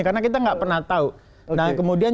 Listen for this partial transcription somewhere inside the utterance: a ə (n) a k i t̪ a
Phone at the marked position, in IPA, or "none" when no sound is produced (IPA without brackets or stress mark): n